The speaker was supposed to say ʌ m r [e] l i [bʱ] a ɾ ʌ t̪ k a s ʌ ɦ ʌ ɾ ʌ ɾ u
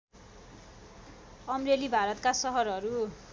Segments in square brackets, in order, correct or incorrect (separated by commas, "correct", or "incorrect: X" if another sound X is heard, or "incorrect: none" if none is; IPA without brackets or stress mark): correct, correct